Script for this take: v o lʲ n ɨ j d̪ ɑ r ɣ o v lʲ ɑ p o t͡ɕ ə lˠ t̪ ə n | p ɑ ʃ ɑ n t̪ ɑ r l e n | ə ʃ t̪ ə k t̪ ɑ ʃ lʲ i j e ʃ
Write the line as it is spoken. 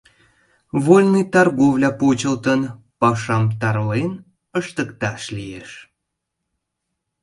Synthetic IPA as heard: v o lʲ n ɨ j t̪ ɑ r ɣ o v lʲ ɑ p o t͡ɕ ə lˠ t̪ ə n | p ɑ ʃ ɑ m t̪ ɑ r l e n | ə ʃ t̪ ə k t̪ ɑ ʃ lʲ i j e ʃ